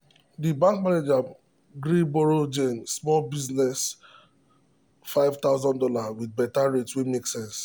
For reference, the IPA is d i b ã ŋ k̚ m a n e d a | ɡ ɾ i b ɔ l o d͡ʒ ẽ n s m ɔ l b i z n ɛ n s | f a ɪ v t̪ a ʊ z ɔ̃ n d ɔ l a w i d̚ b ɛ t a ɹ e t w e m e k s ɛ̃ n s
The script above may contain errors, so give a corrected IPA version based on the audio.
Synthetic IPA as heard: d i b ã ŋ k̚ m a n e d͡ʒ a | ɡ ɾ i b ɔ ɹ o d͡ʒ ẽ n s m ɔ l b i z n ɛ s | f a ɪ v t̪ a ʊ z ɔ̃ n d ɔ l a w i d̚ b ɛ t a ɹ e t w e m e k s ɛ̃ n s

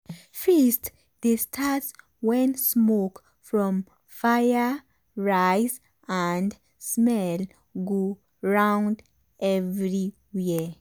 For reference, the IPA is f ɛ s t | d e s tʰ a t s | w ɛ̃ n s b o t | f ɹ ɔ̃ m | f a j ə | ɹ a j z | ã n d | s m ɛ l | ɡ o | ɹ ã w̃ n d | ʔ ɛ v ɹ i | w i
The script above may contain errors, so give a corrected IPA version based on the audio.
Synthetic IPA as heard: f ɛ s t | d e s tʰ a t s | w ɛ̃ n s m o k | f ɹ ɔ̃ m | f a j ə | ɹ a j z | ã n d | s m ɛ l | ɡ o | ɹ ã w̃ n d | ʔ ɛ v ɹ i | w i

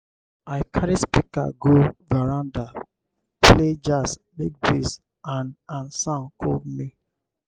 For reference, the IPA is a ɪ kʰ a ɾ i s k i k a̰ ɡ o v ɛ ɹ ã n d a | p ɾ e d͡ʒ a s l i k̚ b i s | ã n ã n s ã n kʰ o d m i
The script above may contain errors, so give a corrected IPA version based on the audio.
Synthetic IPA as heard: a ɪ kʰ a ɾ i s p i k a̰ ɡ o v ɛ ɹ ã n d a | p l e d͡ʒ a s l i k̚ b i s | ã n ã n s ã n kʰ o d m i

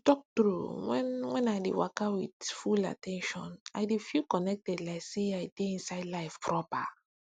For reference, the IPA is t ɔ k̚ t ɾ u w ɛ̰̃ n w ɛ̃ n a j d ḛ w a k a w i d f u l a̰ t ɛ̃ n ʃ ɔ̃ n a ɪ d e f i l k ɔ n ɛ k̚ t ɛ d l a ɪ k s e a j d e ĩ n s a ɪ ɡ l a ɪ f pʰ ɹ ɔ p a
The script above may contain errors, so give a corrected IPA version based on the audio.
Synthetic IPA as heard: t ɔ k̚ t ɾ u w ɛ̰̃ n w ɛ̃ n a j d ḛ w a k a w i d f u l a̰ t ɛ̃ n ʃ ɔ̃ n a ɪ d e f i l k ɔ n ɛ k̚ t ɛ d l a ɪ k s e a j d e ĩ n s a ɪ d l a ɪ f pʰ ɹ ɔ p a

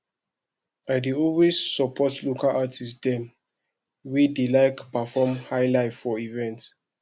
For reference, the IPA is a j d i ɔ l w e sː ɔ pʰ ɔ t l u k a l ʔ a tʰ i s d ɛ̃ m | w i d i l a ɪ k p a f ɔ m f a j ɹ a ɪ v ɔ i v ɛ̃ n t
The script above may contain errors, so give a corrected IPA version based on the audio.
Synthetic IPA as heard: a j d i ɔ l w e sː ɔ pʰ ɔ t l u k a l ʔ a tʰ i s d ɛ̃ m | w i d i l a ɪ k p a f ɔ m h a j l a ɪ f ɔ i v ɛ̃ n t

